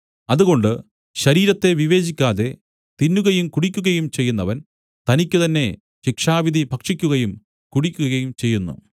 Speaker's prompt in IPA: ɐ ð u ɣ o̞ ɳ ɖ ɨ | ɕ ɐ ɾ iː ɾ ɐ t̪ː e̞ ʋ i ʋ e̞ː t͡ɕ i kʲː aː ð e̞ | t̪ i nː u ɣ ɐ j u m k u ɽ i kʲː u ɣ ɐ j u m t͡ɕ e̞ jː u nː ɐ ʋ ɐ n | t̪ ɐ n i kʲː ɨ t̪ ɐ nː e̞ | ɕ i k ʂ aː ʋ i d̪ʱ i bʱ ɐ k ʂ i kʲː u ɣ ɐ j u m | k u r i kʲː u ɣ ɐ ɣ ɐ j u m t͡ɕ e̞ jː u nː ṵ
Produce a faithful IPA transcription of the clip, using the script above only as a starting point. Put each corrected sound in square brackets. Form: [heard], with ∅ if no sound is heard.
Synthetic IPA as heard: ɐ ð u ɣ o̞ ɳ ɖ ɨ | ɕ ɐ ɾ iː ɾ ɐ t̪ː e̞ ʋ i ʋ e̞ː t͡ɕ i kʲː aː ð e̞ | t̪ i nː u ɣ ɐ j u m k u ɽ i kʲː u ɣ ɐ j u m t͡ɕ e̞ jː u nː ɐ ʋ ɐ n | t̪ ɐ n i kʲː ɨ t̪ ɐ nː e̞ | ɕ i k ʂ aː ʋ i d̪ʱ i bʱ ɐ k ʂ i kʲː u ɣ ɐ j u m | k u [ɽ] i kʲː u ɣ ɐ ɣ ɐ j u m t͡ɕ e̞ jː u nː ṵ